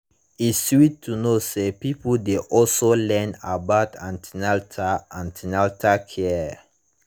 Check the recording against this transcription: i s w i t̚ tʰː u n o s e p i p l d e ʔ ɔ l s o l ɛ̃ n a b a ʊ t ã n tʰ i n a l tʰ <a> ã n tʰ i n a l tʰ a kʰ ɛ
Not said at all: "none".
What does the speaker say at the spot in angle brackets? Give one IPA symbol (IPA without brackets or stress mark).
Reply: a